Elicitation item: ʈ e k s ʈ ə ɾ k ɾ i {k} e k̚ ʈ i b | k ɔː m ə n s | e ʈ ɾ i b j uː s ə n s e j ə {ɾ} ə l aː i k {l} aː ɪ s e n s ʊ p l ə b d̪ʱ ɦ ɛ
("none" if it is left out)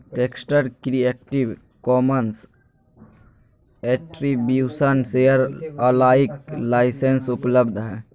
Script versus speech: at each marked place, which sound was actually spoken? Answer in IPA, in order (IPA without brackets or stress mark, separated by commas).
none, ɾ, l